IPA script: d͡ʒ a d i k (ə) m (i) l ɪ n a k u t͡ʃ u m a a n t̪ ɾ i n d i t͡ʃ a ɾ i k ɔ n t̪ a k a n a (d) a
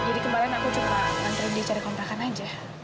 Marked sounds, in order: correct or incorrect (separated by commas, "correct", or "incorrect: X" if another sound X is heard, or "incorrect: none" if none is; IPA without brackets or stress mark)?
correct, incorrect: a, incorrect: d͡ʒ